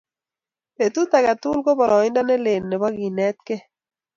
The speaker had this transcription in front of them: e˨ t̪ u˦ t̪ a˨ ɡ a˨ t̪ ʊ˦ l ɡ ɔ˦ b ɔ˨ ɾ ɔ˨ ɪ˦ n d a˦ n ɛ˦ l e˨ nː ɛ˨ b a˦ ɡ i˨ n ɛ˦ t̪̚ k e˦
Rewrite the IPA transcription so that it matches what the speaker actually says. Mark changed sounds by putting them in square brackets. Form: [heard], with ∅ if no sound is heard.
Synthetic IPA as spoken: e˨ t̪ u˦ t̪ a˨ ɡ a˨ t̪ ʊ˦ l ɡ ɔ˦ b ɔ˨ ɾ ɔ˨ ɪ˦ n d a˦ n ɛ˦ l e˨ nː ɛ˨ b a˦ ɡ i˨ n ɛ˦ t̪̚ k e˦